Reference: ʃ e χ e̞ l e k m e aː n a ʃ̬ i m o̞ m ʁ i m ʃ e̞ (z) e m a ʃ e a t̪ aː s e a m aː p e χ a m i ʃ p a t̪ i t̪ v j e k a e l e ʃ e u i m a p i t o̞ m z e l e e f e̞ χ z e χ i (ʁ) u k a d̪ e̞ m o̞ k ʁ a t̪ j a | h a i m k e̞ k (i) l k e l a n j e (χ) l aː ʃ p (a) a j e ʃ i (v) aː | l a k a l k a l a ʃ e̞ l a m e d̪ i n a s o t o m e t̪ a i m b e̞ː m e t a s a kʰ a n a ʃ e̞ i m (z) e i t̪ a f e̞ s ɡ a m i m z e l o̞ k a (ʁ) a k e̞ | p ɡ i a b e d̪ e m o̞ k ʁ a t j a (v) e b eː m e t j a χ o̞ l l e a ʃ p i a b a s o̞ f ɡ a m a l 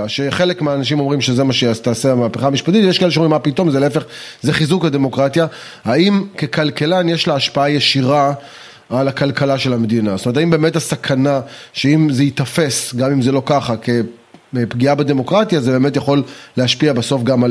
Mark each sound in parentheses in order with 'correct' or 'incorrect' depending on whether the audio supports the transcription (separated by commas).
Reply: correct, incorrect, incorrect, incorrect, correct, incorrect, correct, incorrect, incorrect